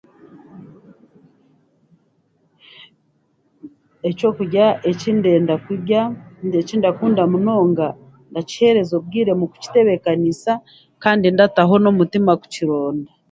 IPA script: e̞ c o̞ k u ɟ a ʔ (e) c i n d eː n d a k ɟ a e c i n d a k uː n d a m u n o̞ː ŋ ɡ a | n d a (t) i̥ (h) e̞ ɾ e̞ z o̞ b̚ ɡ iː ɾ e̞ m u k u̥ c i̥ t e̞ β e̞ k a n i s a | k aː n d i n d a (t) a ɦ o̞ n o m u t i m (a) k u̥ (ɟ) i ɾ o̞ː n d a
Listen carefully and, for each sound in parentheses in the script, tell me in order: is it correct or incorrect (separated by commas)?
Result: correct, incorrect, correct, correct, correct, incorrect